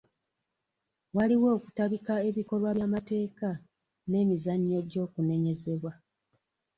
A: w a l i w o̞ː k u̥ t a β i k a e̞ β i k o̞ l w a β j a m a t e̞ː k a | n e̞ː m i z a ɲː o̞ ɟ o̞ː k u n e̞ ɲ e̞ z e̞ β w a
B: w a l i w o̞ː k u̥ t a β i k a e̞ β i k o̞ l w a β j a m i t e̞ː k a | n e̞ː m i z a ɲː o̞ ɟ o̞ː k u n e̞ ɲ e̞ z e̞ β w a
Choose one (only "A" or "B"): A